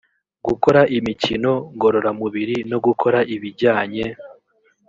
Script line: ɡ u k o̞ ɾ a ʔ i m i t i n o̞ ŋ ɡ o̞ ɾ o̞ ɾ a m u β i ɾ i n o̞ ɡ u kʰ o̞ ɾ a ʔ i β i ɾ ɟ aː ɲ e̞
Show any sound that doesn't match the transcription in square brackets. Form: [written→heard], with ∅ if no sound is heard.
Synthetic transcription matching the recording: ɡ u k o̞ ɾ a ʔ i m i [t→c] i n o̞ ŋ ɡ o̞ ɾ o̞ ɾ a m u β i ɾ i n o̞ ɡ u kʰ o̞ ɾ a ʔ i β i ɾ ɟ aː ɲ e̞